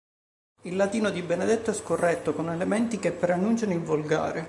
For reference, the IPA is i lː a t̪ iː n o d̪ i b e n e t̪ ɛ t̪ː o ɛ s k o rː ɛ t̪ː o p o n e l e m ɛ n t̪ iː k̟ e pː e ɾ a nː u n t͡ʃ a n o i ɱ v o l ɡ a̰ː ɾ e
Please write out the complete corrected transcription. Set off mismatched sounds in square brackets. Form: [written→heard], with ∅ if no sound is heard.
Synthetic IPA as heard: i lː a t̪ iː n o d̪ i b e n e [t̪→d̪] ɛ t̪ː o ɛ s k o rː ɛ t̪ː o [p→k] o n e l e m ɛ n t̪ [iː→i] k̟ e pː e ɾ a nː u n t͡ʃ a n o i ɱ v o l ɡ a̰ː ɾ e